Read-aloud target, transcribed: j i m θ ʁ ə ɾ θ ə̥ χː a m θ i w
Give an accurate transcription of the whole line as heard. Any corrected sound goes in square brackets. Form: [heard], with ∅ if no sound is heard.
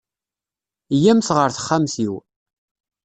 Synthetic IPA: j [æ] m θ ʁ ə ɾ θ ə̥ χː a m θ i w